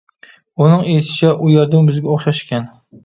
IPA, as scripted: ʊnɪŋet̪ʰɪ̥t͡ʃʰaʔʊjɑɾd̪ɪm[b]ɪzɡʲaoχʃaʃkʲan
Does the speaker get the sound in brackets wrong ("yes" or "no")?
no